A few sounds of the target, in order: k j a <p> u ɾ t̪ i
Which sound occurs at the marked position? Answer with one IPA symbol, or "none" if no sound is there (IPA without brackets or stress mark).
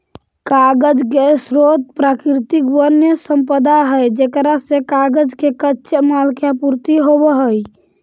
p